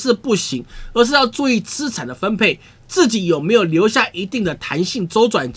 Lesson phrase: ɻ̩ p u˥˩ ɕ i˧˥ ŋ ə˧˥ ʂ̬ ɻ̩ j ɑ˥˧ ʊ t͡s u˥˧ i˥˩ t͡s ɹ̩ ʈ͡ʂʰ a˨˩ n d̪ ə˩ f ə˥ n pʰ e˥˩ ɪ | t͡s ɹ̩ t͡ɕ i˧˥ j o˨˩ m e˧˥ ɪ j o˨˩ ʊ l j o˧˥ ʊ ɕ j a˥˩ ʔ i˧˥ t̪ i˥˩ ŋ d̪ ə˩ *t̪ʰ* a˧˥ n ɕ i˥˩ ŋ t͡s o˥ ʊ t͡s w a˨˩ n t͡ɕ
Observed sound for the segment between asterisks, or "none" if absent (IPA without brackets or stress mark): t̪ʰ